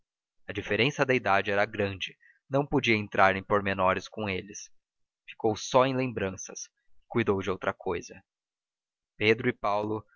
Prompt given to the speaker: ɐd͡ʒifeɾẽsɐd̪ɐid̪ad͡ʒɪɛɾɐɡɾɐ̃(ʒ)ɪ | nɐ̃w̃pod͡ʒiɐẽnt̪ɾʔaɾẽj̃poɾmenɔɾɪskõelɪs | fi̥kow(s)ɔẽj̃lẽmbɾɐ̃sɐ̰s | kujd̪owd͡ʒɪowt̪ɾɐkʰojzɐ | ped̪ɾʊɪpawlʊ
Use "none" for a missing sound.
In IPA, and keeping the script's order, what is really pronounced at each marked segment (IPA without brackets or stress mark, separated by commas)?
d͡ʒ, s